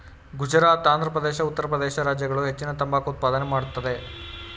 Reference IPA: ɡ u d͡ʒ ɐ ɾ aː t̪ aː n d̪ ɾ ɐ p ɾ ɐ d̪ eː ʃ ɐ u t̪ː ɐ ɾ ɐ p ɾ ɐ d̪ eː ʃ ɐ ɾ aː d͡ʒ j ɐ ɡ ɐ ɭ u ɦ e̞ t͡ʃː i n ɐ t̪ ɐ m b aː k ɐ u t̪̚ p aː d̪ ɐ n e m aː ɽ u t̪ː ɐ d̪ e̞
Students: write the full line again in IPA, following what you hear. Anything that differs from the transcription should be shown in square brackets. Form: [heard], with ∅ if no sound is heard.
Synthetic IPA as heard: ɡ u d͡ʒ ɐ ɾ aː t̪ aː n d̪ ɾ ɐ p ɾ ɐ d̪ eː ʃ ɐ u t̪ː ɐ ɾ ɐ p ɾ ɐ d̪ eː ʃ ɐ ɾ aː d͡ʒ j ɐ ɡ ɐ ɭ u ɦ e̞ t͡ʃː i n ɐ t̪ ɐ m b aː k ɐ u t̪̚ p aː d̪ ɐ n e m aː ɽ u t̪ː ɐ d̪ e̞